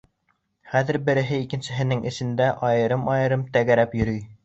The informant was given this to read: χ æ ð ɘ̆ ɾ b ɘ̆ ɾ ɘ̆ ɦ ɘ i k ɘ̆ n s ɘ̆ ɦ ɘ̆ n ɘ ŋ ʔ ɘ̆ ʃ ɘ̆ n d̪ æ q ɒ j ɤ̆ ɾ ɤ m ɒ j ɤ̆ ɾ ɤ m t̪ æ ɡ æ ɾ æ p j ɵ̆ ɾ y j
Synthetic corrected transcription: χ æ ð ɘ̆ ɾ b ɘ̆ ɾ ɘ̆ ɦ ɘ i k ɘ̆ n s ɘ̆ ɦ ɘ̆ n ɘ ŋ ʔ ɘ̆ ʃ ɘ̆ n d̪ æ ʔ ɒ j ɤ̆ ɾ ɤ m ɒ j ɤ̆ ɾ ɤ m t̪ æ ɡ æ ɾ æ p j ɵ̆ ɾ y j